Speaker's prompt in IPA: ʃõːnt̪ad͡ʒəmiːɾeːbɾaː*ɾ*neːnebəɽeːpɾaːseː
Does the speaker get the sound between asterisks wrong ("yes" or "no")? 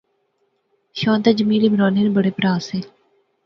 yes